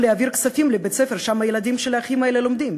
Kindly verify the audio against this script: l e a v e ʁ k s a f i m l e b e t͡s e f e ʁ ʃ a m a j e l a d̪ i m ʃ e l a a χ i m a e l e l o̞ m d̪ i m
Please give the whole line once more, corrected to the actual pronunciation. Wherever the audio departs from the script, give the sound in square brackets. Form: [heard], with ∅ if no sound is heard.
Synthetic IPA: l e a v [i] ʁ k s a f i m l e b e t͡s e f e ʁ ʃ a m a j e l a d̪ i m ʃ e l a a χ i m a e l e l o̞ m d̪ i m